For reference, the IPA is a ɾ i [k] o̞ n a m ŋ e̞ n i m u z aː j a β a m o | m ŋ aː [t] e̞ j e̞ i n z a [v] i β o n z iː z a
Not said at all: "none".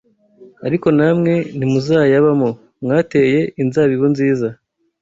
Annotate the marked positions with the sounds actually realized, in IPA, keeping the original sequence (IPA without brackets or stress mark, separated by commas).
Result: k, t, β